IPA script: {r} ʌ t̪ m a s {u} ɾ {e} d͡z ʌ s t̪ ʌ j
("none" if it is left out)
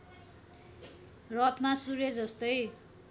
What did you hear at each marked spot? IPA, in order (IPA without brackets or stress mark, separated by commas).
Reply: r, u, e